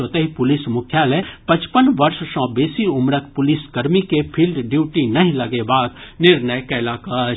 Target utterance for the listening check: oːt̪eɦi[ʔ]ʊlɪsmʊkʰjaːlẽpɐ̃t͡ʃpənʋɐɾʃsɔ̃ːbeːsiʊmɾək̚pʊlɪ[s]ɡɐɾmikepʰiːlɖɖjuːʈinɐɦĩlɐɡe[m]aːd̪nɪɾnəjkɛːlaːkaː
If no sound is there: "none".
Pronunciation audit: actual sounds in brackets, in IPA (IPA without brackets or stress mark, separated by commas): p, s, b